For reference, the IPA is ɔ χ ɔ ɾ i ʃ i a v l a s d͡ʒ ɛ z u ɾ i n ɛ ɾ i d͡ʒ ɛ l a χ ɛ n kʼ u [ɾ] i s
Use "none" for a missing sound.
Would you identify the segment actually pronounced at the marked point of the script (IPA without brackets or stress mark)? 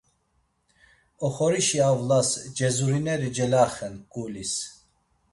l